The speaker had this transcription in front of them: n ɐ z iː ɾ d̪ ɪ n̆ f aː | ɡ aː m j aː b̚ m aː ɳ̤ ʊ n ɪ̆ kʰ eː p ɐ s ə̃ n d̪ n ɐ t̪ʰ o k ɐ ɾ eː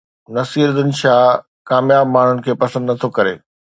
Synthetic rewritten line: n ɐ s iː ɾ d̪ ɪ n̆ ʃ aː | k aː m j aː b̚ m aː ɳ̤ ʊ n ɪ̆ kʰ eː p ɐ s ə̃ n d̪ n ɐ t̪ʰ o k ɐ ɾ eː